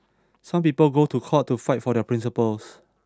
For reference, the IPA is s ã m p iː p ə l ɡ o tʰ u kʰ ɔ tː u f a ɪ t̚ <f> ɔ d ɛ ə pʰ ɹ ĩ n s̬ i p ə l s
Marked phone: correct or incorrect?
correct